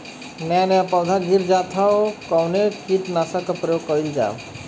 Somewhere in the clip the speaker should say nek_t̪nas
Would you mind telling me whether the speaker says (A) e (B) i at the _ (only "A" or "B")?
B